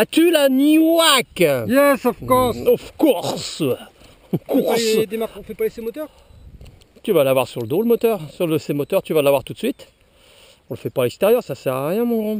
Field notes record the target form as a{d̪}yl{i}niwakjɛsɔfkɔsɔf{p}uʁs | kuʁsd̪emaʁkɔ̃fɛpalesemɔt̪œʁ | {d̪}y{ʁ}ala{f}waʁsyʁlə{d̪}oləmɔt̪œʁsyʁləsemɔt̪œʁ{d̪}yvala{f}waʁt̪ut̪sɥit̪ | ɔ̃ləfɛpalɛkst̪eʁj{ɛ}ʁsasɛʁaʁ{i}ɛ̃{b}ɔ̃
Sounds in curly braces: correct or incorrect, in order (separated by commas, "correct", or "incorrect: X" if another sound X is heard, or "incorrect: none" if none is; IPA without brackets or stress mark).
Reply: incorrect: t̪, incorrect: a, incorrect: k, incorrect: t̪, incorrect: v, incorrect: v, correct, incorrect: t̪, incorrect: v, incorrect: œ, incorrect: j, incorrect: m